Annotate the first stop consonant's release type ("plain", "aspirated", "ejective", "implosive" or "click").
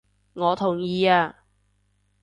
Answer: aspirated